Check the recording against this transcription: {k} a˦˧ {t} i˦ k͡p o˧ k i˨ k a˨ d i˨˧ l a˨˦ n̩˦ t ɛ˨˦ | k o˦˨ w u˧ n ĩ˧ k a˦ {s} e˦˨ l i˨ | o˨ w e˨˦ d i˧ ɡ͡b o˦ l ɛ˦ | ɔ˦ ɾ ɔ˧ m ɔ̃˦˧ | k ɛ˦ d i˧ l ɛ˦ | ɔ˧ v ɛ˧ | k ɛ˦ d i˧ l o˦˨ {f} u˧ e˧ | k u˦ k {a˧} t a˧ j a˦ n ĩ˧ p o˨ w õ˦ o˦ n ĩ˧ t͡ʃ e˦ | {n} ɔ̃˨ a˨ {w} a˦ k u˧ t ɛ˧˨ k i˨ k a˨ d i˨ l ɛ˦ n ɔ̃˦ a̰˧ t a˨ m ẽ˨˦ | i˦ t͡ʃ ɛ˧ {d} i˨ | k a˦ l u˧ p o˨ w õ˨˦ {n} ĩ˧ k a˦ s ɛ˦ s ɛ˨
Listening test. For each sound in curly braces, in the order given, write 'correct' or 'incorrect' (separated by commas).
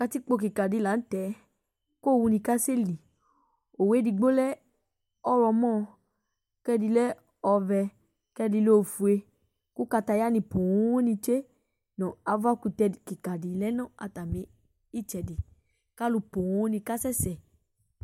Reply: correct, correct, correct, correct, correct, correct, incorrect, correct, correct